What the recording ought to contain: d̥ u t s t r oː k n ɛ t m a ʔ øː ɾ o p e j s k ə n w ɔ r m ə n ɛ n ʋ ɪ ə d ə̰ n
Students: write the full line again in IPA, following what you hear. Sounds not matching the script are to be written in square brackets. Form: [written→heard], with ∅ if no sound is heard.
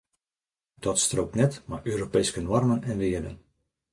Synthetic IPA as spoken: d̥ [u→ɔ] t s t r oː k n ɛ t m a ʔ øː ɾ o p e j s k ə n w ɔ r m ə n ɛ n ʋ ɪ ə d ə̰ n